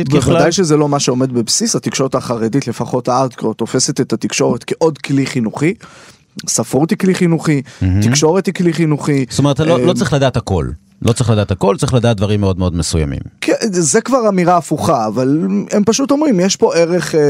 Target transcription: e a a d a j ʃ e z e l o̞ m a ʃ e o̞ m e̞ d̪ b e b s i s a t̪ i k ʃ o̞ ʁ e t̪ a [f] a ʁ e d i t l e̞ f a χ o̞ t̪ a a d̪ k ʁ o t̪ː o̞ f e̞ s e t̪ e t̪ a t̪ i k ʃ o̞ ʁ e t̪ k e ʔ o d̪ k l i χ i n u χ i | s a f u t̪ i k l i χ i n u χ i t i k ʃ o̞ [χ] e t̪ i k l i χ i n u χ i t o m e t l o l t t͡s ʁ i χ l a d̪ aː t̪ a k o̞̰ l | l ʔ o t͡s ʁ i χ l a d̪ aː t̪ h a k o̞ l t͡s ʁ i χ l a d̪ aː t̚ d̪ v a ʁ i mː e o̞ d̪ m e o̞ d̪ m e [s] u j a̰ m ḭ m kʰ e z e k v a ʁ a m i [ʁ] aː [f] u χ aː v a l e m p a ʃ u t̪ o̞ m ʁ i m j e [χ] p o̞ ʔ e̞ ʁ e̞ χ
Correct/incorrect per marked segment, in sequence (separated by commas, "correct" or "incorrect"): incorrect, incorrect, correct, correct, correct, incorrect